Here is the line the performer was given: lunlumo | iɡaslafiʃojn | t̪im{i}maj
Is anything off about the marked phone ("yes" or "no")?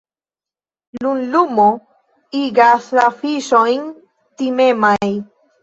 yes